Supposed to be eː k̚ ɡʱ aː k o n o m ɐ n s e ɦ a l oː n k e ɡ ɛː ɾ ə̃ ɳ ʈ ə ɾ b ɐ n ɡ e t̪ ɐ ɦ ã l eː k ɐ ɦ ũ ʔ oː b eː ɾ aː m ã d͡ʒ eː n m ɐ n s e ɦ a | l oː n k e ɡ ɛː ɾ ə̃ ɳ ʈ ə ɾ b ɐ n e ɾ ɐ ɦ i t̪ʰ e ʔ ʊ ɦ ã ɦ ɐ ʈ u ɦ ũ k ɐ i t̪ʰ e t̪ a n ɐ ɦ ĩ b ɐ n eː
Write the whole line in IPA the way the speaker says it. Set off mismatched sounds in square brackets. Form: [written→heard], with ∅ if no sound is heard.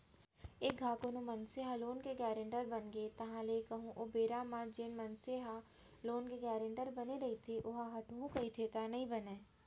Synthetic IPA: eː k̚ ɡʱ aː k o n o m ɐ n s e ɦ a l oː n k e ɡ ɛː ɾ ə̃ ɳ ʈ ə ɾ b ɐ n ɡ e t̪ ɐ ɦ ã l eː k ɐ ɦ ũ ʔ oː b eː ɾ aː m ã d͡ʒ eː n m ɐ n s e ɦ a | l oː n k e ɡ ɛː ɾ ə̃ ɳ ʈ ə ɾ b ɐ n e ɾ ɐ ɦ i t̪ʰ e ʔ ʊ ɦ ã ɦ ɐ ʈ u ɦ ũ k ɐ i t̪ʰ e t̪ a n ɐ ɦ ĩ b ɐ n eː

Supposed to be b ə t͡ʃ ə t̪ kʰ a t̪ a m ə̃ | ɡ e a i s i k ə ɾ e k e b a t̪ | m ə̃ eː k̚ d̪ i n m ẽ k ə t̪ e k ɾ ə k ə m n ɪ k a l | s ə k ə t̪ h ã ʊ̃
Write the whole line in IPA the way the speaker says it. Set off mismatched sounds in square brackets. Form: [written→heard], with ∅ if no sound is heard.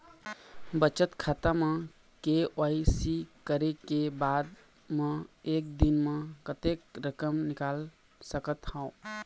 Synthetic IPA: b ə t͡ʃ ə t̪ kʰ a t̪ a m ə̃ | [ɡ→k] e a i s i k ə ɾ e k e b a [t̪→d̪] | m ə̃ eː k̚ d̪ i n m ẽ k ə t̪ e k ɾ ə k ə m n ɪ k a l | s ə k ə t̪ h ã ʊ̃

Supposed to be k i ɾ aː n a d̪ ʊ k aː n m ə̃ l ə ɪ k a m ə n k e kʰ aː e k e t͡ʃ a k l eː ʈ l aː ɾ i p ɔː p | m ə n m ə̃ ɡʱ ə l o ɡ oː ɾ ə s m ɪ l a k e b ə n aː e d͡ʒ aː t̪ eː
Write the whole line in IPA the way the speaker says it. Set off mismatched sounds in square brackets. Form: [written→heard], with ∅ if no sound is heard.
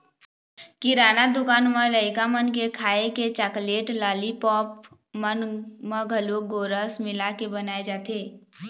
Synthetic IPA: k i ɾ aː n a d̪ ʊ k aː n m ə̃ l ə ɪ k a m ə n k e kʰ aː e k e t͡ʃ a k l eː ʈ l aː [ɾ→l] i p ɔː p | m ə n m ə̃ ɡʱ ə l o ɡ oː ɾ ə s m ɪ l a k e b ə n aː e d͡ʒ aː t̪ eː

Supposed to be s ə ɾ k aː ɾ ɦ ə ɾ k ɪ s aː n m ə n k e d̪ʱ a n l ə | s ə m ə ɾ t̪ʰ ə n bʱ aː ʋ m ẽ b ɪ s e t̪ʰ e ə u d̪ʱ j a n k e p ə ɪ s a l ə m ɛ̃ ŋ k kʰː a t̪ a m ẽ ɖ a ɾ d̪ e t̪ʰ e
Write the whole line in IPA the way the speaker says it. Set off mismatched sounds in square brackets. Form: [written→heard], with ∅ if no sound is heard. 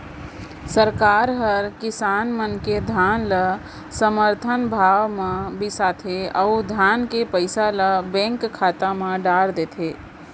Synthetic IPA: s ə ɾ k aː ɾ ɦ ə ɾ k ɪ s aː n m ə n k e d̪ʱ a n l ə | s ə m ə ɾ t̪ʰ ə n bʱ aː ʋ m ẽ b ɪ s [e→a] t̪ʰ e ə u d̪ʱ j a n k e p ə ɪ s a l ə [m→b] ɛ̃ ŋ k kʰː a t̪ a m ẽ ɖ a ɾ d̪ e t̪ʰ e

